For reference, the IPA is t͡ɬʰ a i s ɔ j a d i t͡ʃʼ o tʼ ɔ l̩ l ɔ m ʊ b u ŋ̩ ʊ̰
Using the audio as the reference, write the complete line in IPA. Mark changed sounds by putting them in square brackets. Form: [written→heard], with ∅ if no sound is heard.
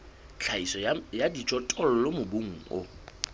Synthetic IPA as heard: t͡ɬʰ a i s ɔ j a d i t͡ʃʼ [o→ɔ] tʼ ɔ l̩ l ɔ m ʊ b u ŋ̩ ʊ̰

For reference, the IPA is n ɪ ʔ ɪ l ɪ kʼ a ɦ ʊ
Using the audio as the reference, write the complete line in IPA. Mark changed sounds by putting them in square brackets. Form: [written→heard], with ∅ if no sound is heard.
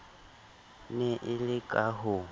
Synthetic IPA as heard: n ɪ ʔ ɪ l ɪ kʼ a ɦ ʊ

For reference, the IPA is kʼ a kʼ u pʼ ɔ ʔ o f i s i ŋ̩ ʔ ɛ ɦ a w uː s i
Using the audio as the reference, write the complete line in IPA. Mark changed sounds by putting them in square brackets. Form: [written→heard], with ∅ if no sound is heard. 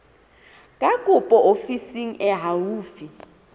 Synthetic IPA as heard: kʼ a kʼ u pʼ ɔ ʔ o f i s i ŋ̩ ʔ ɛ ɦ a w uː [s→f] i

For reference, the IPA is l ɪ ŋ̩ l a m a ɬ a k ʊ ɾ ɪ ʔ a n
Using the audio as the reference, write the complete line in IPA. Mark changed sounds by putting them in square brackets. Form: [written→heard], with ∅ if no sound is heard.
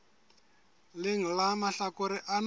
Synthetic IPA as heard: l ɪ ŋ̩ l a m a ɬ a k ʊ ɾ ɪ ʔ a n

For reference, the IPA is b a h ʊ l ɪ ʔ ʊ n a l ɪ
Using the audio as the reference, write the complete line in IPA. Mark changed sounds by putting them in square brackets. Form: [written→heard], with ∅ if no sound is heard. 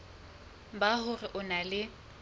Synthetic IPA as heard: b a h ʊ [l→r] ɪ ʔ ʊ n a l ɪ

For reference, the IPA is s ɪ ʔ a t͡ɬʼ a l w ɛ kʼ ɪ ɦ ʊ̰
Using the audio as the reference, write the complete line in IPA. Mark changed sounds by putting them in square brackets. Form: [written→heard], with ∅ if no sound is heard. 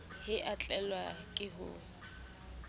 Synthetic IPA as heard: [s→h] ɪ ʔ a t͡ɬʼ [a→ɛ] l w [ɛ→a] kʼ ɪ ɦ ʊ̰

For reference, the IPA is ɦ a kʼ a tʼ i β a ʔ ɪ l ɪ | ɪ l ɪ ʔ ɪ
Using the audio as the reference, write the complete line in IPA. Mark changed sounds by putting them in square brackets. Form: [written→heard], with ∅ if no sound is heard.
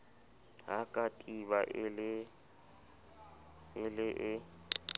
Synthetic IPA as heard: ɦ a kʼ a tʼ i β a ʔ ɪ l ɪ | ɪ l ɪ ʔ ɪ

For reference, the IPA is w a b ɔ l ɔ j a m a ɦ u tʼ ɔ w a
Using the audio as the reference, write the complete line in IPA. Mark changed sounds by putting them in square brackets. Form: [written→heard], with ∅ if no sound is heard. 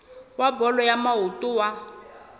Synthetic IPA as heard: w a b ɔ l ɔ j a m a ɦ u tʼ [ɔ→u] w a

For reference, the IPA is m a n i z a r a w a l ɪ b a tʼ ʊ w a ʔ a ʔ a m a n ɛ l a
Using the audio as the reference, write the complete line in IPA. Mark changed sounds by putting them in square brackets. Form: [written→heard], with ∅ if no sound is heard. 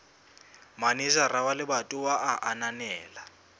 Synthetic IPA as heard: m a n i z a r a w a l ɪ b a tʼ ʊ w a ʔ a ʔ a [m→n] a n [ɛ→ɛː] l a

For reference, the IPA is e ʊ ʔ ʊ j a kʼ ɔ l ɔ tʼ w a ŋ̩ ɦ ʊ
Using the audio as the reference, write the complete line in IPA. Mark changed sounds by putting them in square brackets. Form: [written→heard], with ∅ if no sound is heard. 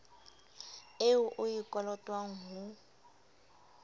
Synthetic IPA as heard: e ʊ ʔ ʊ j [a→i] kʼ ɔ l ɔ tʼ w a ŋ̩ ɦ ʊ

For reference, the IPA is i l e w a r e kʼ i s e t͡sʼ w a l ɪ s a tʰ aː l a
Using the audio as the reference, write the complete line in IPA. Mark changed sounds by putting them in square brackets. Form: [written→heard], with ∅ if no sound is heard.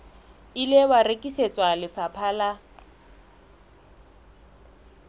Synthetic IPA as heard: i l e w a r e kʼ i s e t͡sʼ w a l ɪ [s→f] a [tʰ→pʰ] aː l a

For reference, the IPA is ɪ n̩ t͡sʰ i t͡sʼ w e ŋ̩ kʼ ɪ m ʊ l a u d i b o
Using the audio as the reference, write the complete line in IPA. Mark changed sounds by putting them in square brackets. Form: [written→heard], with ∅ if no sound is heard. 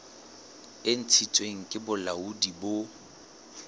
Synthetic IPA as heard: ɪ n̩ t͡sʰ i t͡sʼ w e ŋ̩ kʼ ɪ [m→b] ʊ l a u d i b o

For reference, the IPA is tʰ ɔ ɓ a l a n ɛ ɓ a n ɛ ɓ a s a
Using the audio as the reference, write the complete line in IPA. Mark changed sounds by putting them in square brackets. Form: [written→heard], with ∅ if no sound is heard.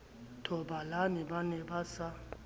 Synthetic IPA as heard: tʰ ɔ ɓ a l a n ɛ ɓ a n ɛ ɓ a s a

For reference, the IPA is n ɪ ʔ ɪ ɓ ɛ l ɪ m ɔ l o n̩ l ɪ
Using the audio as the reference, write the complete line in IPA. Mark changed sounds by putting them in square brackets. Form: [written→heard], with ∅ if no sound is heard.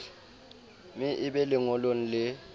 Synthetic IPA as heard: [n→m] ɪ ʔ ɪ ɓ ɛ l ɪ [m→ŋ] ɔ l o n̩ l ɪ

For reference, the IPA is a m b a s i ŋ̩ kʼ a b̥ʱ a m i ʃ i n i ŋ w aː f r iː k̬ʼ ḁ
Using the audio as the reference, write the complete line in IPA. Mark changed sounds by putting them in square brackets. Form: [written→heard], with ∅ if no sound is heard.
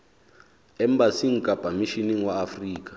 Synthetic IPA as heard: [a→ɛ] m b a s i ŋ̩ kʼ a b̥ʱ a m i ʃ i n i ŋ w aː f r iː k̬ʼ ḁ

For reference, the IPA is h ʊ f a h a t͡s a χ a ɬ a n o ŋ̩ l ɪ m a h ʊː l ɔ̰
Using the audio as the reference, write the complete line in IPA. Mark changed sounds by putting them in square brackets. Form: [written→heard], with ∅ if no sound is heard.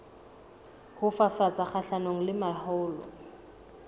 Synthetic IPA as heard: h ʊ f a [h→f] a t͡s a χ a ɬ a n o ŋ̩ l ɪ m a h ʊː l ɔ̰

